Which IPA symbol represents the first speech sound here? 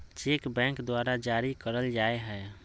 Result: t͡ʃ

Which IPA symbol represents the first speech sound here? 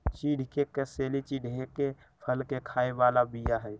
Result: t͡ʃ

